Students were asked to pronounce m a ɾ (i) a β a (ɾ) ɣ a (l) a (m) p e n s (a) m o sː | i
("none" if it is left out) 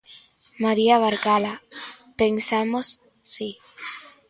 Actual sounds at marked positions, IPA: i, ɾ, l, none, a

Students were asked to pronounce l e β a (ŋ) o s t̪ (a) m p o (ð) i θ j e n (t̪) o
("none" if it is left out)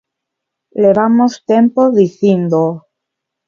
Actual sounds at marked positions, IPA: m, e, ð, d̪

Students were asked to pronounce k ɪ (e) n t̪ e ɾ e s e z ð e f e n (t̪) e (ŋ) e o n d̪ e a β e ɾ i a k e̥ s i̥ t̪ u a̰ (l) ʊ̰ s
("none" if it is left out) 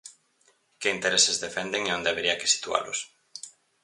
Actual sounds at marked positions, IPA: i, d̪, ŋ, l

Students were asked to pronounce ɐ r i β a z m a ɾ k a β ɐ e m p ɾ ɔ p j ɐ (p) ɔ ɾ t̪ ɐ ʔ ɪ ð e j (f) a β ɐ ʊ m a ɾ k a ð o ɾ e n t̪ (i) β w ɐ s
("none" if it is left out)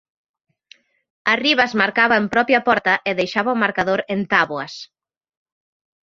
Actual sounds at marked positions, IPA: p, ʃ, a

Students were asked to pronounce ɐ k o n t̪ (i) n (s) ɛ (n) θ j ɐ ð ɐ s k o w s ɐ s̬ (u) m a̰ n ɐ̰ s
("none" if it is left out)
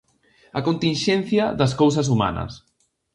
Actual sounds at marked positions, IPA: i, ʃ, n, u

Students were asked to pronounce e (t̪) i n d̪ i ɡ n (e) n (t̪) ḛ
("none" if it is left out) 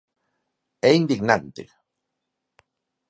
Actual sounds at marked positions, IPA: none, a, t̪

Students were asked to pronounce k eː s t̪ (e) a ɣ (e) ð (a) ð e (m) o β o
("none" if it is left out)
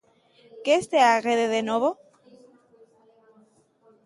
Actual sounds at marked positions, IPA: e, e, e, n

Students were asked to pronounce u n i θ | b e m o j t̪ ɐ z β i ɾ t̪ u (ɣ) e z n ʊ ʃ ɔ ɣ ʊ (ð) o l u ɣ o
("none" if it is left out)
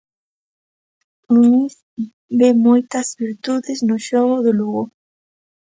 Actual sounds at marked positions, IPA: ð, ð

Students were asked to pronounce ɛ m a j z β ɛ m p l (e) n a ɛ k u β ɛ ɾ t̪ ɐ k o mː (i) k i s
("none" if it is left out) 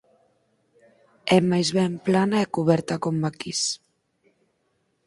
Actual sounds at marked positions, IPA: a, a

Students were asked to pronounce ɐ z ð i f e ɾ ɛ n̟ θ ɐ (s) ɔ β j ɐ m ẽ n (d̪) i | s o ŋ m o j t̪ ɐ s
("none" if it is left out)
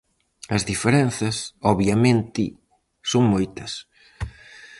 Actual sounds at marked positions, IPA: s, t̪

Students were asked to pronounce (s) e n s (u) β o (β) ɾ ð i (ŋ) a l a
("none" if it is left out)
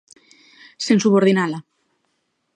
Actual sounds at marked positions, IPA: s, u, none, n

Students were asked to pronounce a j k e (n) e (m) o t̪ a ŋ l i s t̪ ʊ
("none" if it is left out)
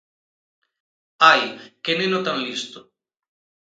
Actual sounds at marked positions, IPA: n, n

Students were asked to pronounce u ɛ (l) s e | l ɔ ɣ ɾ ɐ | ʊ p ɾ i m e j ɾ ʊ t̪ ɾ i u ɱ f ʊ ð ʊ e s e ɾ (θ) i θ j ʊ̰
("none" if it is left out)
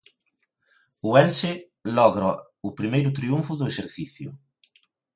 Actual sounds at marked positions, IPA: l, θ

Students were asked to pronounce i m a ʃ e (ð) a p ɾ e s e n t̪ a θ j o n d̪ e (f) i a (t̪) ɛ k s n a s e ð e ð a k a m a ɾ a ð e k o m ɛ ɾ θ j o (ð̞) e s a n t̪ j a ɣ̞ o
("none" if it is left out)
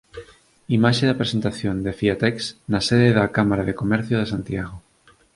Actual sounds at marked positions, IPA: ð, f, t̪, ð̞

